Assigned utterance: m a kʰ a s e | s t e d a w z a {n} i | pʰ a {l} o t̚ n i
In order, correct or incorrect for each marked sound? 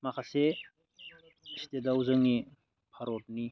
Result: incorrect: ŋ, incorrect: ɾ

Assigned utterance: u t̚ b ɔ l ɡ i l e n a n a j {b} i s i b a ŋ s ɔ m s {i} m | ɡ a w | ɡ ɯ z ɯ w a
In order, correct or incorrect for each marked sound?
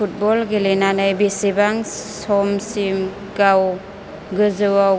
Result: correct, correct

